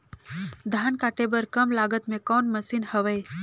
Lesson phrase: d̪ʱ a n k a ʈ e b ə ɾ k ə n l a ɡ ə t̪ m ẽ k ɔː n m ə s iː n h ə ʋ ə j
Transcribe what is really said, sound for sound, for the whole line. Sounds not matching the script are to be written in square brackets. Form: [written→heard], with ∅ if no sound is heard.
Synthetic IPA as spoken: d̪ʱ a n k a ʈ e b ə ɾ k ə [n→m] l a ɡ ə t̪ m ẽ k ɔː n m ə s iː n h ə ʋ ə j